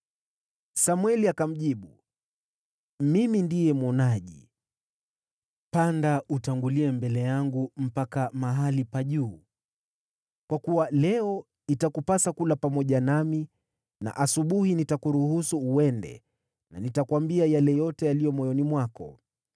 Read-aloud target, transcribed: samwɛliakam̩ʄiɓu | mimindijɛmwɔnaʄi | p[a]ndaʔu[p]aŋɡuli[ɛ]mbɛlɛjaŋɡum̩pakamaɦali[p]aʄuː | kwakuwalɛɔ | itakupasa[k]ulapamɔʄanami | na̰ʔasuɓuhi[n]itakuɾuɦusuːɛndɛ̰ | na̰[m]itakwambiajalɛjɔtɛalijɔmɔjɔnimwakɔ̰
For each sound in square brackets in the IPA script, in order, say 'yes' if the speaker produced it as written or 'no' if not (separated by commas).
yes, no, yes, yes, yes, yes, no